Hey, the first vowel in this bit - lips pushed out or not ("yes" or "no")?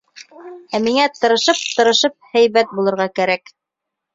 no